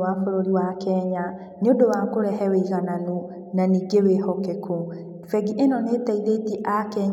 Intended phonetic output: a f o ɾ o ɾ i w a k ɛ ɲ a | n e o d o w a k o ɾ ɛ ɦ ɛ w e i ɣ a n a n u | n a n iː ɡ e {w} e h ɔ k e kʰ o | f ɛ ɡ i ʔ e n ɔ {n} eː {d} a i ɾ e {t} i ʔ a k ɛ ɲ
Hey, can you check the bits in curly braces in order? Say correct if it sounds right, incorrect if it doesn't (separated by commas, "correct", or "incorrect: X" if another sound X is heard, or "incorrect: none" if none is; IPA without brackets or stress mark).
correct, correct, incorrect: t, correct